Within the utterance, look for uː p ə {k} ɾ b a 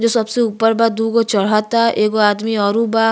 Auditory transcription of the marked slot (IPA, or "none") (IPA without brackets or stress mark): none